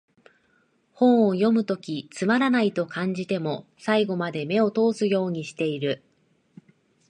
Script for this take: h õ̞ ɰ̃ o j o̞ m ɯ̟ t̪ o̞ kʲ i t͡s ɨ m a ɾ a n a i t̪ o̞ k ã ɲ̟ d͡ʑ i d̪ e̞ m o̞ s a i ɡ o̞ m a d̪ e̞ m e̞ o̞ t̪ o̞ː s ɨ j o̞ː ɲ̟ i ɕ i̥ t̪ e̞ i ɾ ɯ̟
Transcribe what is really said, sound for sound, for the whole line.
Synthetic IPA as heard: h õ̞ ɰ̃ o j o̞ m ɯ̟ t̪ o̞ kʲ i t͡s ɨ m a ɾ a n a i t̪ o̞ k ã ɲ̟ d͡ʑ i t̪ e̞ m o̞ s a i ɡ o̞ m a d̪ e̞ m e̞ o̞ t̪ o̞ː s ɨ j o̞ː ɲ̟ i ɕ i̥ t̪ e̞ i ɾ ɯ̟